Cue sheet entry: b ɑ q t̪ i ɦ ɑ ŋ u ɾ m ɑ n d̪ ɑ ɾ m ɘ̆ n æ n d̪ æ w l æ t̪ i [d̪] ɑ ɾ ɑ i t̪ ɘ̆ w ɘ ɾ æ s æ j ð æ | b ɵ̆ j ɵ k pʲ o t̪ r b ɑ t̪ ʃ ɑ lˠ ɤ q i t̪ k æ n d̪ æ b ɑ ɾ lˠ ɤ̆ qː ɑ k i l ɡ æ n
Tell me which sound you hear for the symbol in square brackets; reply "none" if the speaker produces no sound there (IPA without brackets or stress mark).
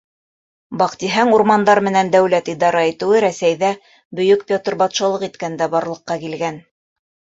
d̪